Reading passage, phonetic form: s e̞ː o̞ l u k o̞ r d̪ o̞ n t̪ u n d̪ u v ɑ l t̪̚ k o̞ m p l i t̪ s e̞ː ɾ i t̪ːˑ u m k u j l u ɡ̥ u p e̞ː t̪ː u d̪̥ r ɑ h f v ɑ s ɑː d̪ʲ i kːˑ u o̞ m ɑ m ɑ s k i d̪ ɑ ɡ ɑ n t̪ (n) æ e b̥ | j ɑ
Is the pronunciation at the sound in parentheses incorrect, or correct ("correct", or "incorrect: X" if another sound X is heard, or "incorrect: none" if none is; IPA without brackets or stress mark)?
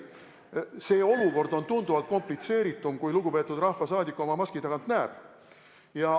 correct